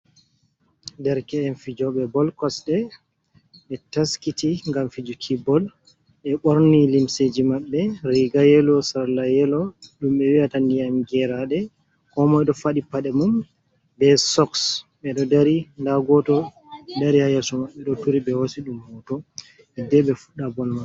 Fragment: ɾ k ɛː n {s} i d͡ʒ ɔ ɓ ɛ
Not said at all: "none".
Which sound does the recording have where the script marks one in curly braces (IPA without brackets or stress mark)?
f